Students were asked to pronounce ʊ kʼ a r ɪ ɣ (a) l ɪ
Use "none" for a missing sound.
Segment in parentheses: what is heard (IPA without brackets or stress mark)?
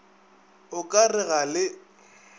a